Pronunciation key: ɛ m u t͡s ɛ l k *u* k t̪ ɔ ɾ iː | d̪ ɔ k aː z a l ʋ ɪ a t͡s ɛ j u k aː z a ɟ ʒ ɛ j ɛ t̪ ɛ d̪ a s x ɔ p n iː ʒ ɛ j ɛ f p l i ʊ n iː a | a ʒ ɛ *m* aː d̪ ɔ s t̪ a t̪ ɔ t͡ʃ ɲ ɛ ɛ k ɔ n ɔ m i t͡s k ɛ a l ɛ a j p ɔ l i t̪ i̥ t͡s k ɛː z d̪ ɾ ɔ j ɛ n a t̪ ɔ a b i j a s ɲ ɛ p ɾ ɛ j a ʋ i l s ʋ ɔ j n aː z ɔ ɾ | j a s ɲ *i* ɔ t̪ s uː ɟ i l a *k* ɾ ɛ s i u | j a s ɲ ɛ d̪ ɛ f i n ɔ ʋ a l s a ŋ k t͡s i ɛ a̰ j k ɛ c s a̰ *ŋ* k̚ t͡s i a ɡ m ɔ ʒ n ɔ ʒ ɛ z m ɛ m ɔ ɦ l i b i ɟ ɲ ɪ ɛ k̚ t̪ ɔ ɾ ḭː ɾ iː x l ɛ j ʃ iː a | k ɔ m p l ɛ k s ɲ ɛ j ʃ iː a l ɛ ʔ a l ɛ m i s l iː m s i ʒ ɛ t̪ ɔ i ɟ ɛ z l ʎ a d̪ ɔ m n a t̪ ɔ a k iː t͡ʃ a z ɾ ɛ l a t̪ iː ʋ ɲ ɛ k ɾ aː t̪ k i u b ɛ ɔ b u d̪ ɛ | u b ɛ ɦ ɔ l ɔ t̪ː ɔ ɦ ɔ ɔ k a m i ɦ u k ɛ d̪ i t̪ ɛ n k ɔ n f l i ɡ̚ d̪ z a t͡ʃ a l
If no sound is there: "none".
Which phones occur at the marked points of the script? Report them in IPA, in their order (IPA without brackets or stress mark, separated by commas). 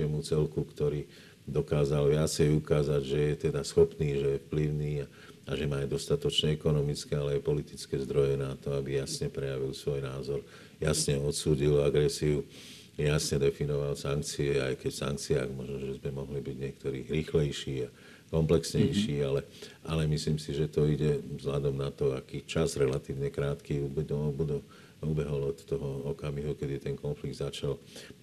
u, m, ɛ, ɡ, ŋ